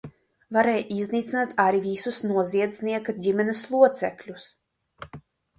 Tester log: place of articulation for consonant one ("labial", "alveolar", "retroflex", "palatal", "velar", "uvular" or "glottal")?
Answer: labial